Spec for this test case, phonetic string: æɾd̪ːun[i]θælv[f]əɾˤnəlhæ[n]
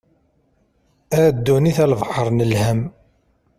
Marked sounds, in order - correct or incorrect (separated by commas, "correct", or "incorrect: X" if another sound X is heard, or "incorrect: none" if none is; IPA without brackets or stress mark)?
correct, incorrect: ħ, incorrect: m